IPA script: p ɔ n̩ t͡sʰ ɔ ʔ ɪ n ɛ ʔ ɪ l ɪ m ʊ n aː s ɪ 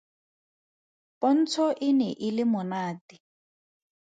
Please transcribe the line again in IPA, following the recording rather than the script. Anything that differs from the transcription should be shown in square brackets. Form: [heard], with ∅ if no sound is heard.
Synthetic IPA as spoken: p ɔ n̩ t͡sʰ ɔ ʔ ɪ n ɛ ʔ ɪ l ɪ m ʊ n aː [t] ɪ